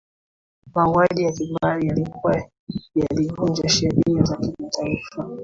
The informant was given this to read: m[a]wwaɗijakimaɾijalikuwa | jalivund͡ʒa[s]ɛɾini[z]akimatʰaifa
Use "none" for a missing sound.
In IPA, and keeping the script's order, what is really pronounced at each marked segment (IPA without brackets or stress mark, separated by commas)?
a, ʃ, z